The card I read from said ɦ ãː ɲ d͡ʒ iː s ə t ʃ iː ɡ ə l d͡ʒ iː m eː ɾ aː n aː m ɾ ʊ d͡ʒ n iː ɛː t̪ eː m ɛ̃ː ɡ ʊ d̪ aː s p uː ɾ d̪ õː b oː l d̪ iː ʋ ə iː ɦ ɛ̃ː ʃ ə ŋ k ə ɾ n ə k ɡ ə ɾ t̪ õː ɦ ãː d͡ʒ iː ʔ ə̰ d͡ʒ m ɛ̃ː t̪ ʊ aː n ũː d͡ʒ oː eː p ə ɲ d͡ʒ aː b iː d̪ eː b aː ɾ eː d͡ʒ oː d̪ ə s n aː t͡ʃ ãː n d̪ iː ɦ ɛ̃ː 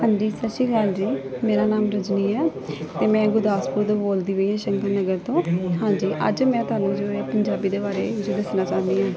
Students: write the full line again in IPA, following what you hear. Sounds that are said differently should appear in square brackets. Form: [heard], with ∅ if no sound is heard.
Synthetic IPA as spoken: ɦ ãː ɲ d͡ʒ iː s ə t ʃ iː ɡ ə l d͡ʒ iː m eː ɾ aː n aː m ɾ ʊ d͡ʒ n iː ɛː t̪ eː m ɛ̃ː ɡ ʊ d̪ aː s p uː ɾ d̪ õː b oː l d̪ iː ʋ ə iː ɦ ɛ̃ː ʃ ə ŋ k ə ɾ n ə [∅] ɡ ə ɾ t̪ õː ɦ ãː d͡ʒ iː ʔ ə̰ d͡ʒ m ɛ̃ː t̪ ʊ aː n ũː d͡ʒ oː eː p ə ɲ d͡ʒ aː b iː d̪ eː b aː ɾ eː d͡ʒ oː d̪ ə s n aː t͡ʃ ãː n d̪ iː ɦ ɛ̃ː